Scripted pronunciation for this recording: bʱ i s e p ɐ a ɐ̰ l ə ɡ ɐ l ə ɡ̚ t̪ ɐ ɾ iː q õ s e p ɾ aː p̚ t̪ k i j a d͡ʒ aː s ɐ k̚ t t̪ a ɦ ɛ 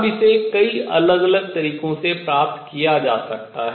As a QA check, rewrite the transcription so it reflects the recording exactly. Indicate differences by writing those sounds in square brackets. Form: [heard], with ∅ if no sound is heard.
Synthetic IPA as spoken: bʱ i s e [k] ɐ [i] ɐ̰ l ə ɡ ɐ l ə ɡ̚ t̪ ɐ ɾ iː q õ s e p ɾ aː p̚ t̪ k i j a d͡ʒ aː s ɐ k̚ t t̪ a ɦ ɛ